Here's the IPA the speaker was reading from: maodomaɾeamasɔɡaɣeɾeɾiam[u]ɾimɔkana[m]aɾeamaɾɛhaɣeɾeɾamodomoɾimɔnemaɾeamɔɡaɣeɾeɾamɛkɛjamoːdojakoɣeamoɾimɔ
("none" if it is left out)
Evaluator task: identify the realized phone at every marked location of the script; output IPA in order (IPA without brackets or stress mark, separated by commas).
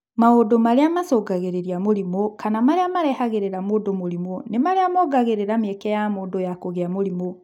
o, m